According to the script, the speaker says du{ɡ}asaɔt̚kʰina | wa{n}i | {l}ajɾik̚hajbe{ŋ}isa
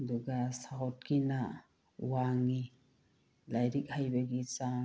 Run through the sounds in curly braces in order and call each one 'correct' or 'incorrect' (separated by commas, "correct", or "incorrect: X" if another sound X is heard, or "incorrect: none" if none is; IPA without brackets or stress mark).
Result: correct, incorrect: ŋ, correct, incorrect: ɡ